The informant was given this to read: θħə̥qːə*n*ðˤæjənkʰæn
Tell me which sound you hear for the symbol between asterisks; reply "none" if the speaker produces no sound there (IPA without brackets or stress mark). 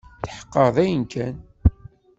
none